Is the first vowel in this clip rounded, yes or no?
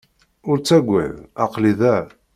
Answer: yes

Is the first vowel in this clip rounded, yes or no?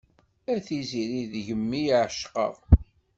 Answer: no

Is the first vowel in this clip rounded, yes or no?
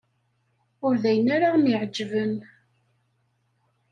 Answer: yes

